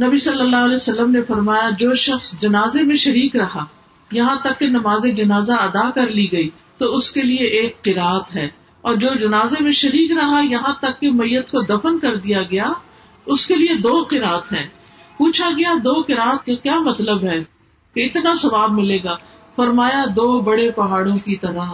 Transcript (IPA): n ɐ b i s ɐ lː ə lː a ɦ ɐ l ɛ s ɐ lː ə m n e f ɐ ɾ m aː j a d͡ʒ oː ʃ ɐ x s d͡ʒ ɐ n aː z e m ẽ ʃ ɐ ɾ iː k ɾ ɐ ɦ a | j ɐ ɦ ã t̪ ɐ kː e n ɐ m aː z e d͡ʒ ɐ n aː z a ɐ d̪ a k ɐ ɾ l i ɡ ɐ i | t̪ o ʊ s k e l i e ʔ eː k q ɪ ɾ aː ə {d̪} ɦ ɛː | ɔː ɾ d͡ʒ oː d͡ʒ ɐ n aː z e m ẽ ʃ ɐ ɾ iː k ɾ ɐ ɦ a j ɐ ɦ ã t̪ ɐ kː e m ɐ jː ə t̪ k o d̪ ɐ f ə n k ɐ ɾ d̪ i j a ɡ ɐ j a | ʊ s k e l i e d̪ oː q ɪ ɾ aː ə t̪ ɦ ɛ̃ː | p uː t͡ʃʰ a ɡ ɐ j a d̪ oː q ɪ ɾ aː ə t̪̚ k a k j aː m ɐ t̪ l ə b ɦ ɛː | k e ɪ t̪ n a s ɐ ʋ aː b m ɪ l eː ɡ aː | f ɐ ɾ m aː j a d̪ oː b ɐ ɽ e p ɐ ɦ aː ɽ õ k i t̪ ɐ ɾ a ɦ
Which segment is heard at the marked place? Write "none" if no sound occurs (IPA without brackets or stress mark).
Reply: t̪